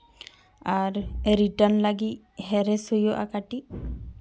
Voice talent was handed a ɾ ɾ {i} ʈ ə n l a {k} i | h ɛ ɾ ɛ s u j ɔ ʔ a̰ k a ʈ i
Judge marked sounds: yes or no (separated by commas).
yes, no